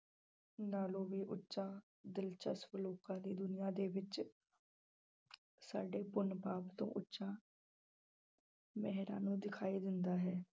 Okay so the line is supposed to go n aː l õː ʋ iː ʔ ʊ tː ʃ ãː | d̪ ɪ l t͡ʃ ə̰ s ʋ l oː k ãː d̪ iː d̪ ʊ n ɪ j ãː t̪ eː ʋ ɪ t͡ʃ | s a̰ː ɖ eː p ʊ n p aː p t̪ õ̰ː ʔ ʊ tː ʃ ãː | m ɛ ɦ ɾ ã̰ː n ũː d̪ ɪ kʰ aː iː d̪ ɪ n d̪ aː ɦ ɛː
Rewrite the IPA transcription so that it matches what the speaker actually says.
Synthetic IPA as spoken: n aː l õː ʋ iː ʔ ʊ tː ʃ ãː | d̪ ɪ l t͡ʃ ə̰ s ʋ l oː k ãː d̪ iː d̪ ʊ n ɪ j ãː d̪ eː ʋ ɪ t͡ʃ | s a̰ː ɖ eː p ʊ n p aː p t̪ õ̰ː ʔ ʊ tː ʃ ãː | m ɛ ɦ ɾ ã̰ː n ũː d̪ ɪ kʰ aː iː d̪ ɪ n d̪ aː ɦ ɛː